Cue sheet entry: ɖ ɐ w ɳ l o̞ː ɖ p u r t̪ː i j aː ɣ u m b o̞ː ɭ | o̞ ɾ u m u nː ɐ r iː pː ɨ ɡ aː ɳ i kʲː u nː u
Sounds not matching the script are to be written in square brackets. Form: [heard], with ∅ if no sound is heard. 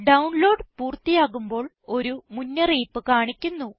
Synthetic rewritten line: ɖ ɐ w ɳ l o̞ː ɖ p [uː] r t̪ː i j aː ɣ u m b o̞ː ɭ | o̞ ɾ u m u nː ɐ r iː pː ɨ [k] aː ɳ i kʲː u nː u